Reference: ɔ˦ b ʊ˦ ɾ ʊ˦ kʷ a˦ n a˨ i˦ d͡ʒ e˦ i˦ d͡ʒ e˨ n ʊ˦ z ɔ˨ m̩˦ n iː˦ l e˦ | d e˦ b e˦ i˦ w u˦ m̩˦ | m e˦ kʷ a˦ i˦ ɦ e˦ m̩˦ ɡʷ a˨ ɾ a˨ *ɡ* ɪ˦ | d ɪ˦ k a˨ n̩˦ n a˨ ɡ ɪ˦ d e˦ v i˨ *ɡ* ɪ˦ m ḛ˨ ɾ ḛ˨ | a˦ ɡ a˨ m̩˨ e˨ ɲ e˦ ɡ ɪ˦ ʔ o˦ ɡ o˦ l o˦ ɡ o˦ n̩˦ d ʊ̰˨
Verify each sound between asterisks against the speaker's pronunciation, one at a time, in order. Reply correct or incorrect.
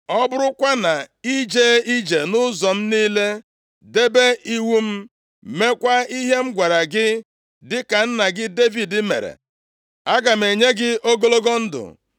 correct, incorrect

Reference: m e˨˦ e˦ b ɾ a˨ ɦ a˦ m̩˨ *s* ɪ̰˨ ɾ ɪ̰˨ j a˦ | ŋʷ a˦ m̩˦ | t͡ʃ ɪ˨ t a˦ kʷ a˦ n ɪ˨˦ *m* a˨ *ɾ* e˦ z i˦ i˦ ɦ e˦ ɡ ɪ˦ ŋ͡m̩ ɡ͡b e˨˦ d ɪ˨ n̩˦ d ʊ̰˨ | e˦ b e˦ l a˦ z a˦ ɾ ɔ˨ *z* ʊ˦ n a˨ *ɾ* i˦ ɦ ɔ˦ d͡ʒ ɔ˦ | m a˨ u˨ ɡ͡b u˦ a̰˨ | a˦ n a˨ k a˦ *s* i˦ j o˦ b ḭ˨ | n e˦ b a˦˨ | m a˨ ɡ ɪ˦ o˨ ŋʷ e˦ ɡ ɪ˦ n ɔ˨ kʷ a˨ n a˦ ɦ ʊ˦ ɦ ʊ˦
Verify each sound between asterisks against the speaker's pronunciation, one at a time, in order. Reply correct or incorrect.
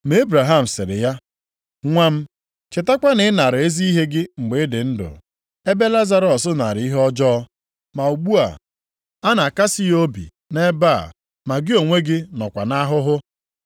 correct, incorrect, correct, incorrect, correct, correct

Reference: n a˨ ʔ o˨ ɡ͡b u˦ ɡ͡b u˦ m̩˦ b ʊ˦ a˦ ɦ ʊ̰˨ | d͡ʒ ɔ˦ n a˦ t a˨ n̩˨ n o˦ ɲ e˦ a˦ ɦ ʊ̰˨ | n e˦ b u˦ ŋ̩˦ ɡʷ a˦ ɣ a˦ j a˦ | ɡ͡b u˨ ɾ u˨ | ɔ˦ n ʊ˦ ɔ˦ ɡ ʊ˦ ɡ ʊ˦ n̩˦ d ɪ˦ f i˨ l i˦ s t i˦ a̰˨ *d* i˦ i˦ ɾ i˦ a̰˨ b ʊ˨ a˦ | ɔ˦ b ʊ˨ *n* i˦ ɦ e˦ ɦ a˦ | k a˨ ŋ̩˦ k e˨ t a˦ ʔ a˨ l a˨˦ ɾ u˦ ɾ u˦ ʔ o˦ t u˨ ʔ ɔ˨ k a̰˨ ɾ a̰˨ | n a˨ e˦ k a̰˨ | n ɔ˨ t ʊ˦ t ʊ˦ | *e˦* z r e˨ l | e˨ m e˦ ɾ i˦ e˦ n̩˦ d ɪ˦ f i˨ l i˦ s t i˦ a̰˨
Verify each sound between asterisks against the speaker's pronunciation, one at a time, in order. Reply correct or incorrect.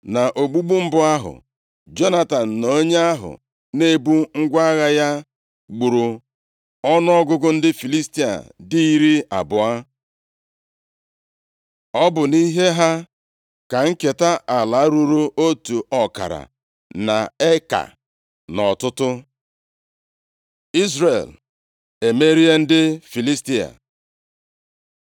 correct, correct, incorrect

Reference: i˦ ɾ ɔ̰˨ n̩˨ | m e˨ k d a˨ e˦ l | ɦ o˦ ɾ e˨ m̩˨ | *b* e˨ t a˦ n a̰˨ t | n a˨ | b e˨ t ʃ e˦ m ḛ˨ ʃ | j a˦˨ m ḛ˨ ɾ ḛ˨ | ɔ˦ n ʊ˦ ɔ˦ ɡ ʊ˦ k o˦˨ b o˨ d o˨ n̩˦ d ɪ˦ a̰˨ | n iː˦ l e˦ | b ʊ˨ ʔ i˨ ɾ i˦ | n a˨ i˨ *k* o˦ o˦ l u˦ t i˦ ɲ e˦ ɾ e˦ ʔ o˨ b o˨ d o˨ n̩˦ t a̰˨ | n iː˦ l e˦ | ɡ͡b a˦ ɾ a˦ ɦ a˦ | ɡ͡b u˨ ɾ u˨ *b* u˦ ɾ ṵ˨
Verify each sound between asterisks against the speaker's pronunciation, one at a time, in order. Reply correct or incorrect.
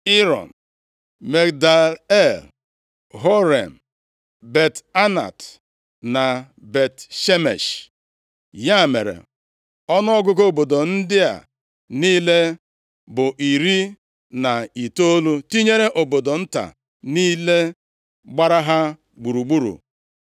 correct, incorrect, incorrect

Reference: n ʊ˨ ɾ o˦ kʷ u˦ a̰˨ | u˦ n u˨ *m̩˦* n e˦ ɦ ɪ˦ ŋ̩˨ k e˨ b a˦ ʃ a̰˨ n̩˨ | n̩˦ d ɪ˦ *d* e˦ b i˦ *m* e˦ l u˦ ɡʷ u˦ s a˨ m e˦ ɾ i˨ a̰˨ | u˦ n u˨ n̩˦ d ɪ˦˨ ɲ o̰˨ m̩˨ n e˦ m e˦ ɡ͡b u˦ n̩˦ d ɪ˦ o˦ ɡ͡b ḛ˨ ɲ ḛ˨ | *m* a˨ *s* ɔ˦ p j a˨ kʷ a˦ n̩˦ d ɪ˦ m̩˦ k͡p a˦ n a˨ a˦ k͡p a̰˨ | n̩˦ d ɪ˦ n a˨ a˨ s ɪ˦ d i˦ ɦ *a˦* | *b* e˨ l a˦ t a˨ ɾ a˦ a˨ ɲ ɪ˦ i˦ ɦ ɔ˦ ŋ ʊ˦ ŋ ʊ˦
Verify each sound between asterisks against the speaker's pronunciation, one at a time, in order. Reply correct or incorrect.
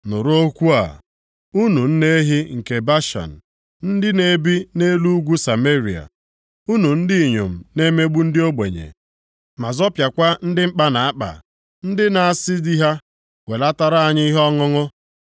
incorrect, incorrect, incorrect, correct, incorrect, correct, incorrect

